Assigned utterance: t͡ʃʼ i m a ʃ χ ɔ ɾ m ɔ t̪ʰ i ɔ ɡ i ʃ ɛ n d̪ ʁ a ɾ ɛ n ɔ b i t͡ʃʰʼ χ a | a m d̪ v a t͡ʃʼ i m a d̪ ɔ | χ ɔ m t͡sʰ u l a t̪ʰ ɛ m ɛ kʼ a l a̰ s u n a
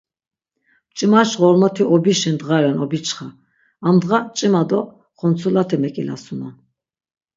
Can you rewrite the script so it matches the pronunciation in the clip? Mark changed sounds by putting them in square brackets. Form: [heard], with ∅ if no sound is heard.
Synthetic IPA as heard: t͡ʃʼ i m a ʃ [ʁ] ɔ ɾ m ɔ t̪ʰ i ɔ [b] i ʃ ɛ n d̪ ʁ a ɾ ɛ n ɔ b i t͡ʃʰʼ χ a | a m d̪ [ʁ] a t͡ʃʼ i m a d̪ ɔ | χ ɔ [n] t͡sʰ u l a t̪ʰ ɛ m ɛ kʼ [i] l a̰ s u n a